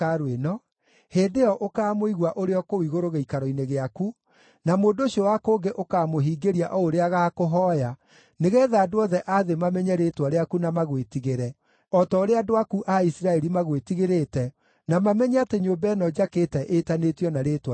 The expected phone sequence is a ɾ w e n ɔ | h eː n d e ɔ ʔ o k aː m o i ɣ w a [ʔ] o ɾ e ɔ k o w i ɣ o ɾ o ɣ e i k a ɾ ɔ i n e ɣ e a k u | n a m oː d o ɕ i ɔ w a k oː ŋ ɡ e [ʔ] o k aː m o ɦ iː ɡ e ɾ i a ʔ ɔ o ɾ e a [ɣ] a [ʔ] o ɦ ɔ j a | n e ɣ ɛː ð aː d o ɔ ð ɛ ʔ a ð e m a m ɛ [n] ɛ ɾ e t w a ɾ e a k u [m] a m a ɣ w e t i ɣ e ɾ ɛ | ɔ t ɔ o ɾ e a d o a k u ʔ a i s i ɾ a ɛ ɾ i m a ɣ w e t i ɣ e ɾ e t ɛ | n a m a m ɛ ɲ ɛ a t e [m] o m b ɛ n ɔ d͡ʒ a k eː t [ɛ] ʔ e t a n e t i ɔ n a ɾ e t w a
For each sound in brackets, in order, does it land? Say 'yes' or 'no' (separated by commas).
yes, yes, yes, no, no, no, no, yes